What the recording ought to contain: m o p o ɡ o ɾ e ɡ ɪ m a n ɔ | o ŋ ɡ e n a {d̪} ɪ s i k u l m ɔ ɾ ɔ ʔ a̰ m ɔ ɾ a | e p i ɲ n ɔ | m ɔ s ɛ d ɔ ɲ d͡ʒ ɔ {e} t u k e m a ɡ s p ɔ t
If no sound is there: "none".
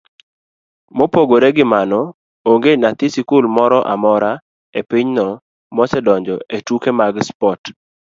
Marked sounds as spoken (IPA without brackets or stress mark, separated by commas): t̪, e